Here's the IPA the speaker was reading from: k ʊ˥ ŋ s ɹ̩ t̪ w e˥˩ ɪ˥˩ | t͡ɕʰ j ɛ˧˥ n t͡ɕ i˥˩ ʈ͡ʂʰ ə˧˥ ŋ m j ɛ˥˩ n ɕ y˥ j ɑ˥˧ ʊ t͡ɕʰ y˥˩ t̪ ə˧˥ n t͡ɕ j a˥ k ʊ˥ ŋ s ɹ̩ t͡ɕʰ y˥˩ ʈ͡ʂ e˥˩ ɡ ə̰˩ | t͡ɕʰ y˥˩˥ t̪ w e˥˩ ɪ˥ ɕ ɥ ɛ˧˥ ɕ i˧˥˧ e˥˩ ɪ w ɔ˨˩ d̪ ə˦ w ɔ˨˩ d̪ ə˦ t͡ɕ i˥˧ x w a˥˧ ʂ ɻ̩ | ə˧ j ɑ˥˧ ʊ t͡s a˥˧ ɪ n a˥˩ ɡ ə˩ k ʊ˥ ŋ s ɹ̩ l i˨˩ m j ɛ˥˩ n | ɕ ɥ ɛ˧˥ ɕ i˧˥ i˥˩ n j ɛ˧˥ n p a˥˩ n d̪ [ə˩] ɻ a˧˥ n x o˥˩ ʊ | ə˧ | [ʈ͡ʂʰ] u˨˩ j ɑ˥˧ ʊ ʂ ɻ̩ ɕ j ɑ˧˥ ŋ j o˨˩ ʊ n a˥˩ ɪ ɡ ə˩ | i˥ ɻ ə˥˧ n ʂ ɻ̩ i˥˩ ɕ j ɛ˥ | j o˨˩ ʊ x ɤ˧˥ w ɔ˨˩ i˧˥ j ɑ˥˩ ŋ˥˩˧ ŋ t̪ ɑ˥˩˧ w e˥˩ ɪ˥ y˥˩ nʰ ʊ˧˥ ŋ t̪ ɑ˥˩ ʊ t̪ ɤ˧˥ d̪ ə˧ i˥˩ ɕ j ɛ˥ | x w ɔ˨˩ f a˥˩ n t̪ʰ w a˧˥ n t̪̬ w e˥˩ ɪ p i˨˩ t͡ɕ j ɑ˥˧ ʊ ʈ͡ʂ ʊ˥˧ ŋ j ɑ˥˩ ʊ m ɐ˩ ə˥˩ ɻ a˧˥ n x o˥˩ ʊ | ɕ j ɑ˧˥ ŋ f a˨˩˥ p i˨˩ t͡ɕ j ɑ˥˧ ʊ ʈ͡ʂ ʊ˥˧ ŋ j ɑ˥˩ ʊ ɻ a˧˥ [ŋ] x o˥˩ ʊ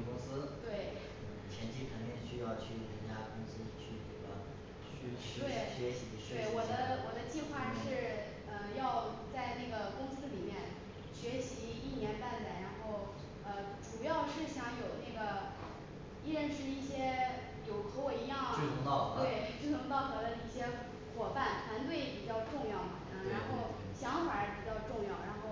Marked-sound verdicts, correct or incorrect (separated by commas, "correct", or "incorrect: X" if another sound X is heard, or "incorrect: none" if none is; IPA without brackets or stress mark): correct, incorrect: ʈ͡ʂ, incorrect: n